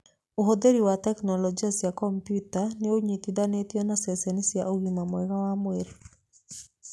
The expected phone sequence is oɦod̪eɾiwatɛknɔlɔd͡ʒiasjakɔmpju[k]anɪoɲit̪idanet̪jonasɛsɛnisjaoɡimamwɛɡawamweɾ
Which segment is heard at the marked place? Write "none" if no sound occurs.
t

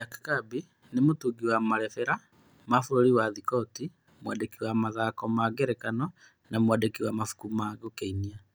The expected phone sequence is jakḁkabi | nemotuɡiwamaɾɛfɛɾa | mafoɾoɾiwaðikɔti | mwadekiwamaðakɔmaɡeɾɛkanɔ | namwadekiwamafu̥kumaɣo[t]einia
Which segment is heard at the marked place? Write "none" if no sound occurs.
k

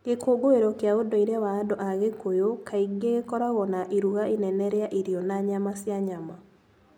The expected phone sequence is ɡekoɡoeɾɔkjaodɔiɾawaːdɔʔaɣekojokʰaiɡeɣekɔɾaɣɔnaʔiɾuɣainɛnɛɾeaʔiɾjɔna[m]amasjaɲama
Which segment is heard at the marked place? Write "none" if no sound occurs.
ɲ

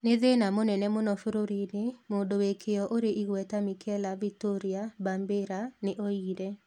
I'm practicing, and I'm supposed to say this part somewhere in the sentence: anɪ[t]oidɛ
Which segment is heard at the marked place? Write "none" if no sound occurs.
ʔ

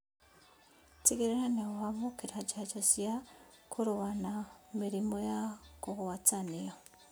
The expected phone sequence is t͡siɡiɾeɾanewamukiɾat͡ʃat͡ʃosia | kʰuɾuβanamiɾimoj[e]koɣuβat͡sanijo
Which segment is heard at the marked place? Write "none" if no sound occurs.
a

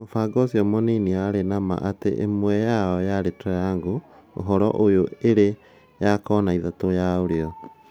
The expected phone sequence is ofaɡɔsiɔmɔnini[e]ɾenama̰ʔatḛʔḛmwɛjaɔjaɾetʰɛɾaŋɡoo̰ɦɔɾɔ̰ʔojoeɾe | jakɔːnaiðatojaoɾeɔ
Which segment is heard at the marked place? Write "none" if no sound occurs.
a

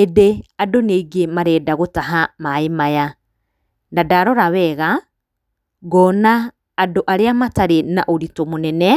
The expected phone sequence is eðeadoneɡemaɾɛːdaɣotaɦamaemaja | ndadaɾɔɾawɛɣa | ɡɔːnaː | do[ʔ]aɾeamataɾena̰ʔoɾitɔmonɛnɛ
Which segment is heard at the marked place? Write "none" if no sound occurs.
ʔ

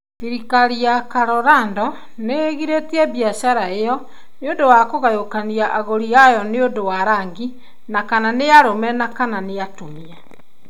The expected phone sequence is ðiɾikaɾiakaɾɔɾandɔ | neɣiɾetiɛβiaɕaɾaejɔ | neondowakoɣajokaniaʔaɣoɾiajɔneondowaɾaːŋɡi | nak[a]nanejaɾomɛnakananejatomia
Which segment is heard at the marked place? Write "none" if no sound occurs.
a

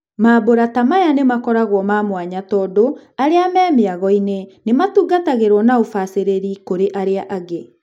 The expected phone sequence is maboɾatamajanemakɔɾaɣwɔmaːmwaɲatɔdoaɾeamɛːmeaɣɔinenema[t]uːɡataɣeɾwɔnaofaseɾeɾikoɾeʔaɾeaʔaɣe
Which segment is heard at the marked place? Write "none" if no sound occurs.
t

